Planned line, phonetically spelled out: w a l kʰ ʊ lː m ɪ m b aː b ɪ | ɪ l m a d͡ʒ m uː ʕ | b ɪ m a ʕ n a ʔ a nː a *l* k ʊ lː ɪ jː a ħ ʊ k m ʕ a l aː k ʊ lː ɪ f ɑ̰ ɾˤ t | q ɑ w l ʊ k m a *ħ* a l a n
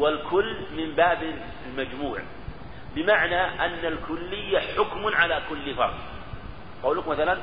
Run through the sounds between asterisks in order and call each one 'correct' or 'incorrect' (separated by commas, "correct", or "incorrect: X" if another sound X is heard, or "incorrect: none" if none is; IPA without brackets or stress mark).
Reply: correct, incorrect: θ